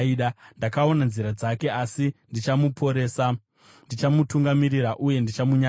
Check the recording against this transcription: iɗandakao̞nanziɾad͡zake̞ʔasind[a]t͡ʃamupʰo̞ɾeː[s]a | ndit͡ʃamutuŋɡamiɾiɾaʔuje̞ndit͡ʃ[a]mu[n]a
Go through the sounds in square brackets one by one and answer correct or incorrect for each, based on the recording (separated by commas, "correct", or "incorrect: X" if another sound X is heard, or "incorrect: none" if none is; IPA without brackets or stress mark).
incorrect: i, correct, correct, incorrect: ɲ